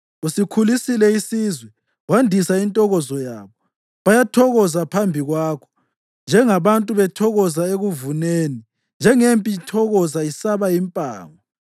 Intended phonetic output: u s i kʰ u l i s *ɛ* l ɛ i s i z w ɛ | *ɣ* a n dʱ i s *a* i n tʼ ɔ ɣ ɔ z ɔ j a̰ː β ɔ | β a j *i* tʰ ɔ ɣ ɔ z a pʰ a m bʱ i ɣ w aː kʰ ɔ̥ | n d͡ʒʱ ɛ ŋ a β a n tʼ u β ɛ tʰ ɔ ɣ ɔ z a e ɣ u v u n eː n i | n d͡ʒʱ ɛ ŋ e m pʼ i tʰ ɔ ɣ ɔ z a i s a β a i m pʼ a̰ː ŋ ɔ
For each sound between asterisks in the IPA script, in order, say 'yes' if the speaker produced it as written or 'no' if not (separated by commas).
no, no, yes, no